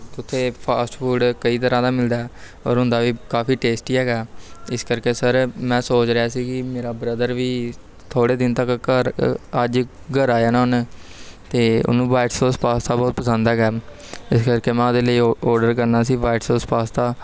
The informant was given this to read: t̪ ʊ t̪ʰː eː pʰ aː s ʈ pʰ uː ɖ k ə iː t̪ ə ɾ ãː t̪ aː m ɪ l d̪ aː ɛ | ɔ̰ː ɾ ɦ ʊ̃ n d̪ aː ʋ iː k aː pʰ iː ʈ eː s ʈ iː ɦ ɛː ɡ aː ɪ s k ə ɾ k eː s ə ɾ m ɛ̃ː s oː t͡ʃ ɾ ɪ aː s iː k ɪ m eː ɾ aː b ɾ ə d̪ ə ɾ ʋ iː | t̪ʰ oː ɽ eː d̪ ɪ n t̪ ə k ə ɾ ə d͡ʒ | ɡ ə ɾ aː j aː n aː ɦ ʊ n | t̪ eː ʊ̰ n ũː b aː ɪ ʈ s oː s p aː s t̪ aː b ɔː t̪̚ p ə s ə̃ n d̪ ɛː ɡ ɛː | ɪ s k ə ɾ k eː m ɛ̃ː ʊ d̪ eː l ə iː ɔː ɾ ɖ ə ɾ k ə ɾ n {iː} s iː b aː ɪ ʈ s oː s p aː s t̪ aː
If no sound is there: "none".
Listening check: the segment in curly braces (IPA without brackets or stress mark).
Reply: aː